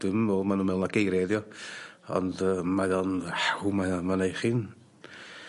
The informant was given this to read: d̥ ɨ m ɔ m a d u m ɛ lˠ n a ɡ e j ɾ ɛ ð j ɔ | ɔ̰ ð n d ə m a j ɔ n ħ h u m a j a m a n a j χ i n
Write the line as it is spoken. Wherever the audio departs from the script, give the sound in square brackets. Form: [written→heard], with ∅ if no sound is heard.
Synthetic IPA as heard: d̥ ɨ m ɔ m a [d→n] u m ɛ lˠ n a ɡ e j ɾ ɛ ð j ɔ | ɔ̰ [ð→∅] n d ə m a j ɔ n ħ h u m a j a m a n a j χ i n